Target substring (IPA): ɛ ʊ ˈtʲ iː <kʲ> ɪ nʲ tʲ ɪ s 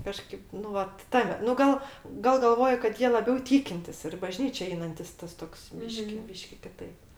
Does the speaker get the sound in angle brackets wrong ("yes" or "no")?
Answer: no